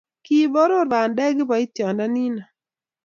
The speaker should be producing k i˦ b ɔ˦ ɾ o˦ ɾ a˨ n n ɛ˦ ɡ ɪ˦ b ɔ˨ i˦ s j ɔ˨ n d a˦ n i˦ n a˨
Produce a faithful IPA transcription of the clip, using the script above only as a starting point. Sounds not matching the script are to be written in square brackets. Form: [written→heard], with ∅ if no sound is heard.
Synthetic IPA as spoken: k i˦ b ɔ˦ ɾ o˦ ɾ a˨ n [n→d] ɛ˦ ɡ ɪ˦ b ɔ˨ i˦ [s→t] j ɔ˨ n d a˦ n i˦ n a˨